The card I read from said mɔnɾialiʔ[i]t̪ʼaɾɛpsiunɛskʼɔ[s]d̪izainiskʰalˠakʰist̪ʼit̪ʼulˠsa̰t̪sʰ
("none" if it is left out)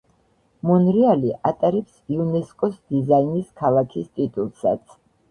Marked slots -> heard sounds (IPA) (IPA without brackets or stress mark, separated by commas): a, s